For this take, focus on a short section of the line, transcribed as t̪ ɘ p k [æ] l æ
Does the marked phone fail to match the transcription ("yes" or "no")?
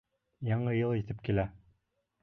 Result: yes